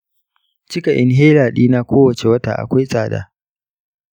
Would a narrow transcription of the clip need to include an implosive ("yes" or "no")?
yes